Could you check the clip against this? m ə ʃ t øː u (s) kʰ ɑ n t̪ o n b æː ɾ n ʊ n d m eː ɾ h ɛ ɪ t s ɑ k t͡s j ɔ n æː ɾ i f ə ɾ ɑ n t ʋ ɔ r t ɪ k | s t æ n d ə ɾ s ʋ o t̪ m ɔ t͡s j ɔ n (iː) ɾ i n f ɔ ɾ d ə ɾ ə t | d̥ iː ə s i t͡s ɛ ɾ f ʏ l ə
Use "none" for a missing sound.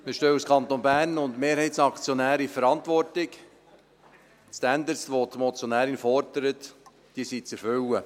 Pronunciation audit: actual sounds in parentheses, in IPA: s, æː

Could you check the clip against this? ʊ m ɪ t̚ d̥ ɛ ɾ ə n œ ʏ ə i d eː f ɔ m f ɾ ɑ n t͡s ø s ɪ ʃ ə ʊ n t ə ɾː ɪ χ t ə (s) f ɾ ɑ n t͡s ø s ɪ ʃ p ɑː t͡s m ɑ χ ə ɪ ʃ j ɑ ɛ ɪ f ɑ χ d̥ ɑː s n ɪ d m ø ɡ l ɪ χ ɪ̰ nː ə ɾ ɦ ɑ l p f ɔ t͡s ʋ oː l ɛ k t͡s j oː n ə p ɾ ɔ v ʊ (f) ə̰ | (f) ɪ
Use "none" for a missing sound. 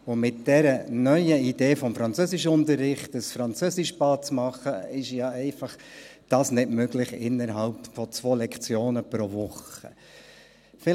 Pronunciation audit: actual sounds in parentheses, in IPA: s, χ, f

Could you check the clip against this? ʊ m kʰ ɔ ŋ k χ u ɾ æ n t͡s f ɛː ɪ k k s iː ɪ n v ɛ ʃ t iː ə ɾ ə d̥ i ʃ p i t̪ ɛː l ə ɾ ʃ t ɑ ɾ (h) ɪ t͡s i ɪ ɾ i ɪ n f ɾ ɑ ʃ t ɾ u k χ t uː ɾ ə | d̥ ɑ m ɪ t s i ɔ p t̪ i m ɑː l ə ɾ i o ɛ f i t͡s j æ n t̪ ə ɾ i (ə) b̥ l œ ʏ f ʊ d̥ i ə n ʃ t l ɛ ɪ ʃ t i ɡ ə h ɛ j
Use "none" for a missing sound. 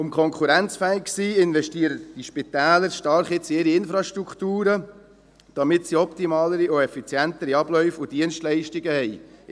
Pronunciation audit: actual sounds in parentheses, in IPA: χ, ɑ

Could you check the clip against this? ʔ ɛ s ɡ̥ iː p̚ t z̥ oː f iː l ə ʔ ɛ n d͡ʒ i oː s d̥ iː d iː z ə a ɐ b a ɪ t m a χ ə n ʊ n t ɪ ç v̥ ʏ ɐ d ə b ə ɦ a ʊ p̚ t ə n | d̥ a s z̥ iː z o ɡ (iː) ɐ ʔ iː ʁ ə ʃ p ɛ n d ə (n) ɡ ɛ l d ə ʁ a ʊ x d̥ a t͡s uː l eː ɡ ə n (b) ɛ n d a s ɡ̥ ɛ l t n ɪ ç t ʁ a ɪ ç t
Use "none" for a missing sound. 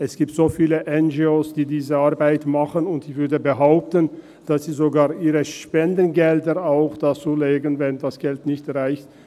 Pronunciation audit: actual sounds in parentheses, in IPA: aː, n, v

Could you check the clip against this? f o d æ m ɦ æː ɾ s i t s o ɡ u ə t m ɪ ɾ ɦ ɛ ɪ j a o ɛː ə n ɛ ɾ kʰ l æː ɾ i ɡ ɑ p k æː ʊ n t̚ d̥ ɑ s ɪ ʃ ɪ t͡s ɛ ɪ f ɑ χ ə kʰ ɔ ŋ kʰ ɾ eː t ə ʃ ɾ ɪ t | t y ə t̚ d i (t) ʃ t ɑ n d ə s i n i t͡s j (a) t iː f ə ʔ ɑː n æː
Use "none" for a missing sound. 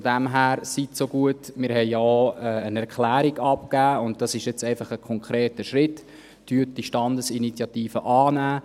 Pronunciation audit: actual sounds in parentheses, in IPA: none, ɑ

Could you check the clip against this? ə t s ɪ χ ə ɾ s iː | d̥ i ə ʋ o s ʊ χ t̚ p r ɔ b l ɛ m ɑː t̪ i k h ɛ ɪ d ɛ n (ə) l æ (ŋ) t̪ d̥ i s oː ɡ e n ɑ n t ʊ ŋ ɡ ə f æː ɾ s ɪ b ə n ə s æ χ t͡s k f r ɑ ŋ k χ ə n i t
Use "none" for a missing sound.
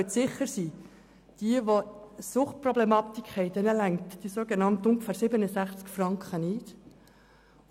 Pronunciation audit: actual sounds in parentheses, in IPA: ə, ŋ

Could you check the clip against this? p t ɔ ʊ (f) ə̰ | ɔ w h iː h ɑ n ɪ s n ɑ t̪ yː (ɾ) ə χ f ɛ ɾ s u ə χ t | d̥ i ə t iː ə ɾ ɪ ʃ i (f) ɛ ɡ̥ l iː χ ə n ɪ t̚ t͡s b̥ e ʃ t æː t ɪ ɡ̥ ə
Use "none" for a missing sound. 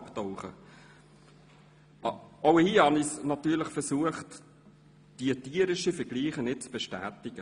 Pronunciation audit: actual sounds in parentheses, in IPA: χ, l, f

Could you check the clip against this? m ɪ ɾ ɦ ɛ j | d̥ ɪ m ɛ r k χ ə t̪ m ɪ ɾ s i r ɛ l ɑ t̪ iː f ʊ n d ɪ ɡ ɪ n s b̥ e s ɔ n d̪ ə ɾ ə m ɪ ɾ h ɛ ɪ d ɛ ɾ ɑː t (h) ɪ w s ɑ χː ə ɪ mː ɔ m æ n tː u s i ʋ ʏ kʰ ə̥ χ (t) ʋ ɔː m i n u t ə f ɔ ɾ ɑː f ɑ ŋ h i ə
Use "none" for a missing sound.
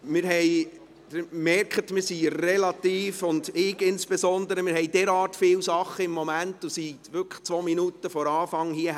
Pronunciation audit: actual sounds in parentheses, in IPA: f, t͡s

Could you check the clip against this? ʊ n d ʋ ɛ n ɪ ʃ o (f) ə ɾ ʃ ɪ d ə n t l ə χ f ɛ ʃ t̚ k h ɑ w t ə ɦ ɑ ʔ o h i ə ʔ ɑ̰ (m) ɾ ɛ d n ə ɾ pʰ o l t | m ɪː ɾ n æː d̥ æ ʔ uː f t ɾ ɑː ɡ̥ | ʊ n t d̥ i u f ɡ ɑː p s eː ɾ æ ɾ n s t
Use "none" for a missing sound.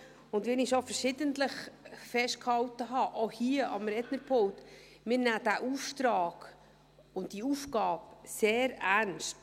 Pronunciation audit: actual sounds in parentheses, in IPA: f, m

